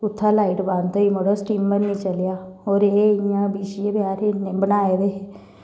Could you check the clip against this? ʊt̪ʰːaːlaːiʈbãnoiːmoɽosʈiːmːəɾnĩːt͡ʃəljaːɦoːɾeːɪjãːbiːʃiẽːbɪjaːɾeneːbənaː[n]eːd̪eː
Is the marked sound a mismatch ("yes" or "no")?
yes